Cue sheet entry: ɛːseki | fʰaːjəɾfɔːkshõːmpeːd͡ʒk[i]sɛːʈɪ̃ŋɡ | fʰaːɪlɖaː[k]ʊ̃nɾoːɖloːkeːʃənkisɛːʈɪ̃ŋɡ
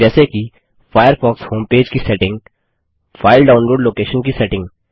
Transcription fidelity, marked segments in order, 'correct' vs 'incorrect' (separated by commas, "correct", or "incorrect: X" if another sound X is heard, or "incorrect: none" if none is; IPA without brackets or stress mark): correct, incorrect: none